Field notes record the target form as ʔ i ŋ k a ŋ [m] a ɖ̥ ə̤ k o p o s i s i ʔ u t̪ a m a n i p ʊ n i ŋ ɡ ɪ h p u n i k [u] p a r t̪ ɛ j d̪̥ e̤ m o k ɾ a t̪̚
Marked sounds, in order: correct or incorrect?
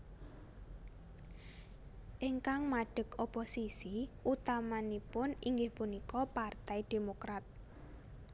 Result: correct, incorrect

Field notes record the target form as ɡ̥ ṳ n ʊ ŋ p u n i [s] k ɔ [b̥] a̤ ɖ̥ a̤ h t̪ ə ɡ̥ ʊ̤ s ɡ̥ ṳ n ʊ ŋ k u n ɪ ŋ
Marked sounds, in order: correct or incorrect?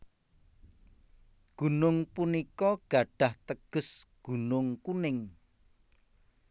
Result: incorrect, incorrect

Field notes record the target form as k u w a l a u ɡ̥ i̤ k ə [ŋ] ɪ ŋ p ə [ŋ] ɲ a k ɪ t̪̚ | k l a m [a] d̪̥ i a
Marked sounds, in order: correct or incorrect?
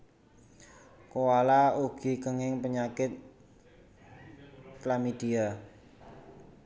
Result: correct, incorrect, incorrect

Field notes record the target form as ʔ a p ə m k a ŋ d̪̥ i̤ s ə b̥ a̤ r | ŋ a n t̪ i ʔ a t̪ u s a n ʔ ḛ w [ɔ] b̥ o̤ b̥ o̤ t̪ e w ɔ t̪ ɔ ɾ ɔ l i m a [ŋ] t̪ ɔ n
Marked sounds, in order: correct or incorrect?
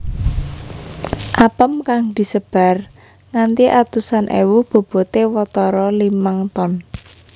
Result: incorrect, correct

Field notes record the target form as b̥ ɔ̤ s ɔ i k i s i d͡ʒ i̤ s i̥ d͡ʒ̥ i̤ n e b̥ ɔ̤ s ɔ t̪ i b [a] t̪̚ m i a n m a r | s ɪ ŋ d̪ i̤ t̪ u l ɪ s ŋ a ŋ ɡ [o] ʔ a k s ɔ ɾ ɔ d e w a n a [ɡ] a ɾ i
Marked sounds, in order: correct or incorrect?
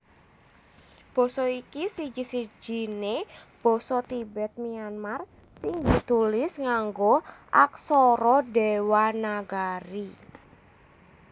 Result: incorrect, correct, correct

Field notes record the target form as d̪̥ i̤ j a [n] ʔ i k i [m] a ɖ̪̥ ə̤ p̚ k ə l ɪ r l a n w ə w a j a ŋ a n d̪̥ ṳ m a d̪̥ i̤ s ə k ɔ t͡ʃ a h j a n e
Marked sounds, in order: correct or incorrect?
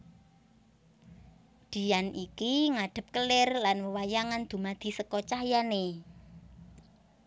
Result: correct, incorrect

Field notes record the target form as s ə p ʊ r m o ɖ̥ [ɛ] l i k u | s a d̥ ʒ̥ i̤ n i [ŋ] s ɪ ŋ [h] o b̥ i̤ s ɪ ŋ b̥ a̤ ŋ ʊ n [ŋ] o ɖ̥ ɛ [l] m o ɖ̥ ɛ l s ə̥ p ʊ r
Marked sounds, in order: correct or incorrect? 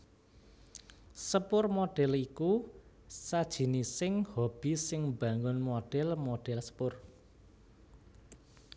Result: correct, incorrect, correct, incorrect, correct

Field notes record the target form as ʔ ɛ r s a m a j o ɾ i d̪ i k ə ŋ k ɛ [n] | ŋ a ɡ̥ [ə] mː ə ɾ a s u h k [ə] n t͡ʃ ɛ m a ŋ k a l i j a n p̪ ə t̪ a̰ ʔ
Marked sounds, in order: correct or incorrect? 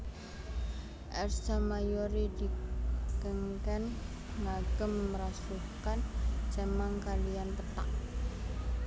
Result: correct, correct, incorrect

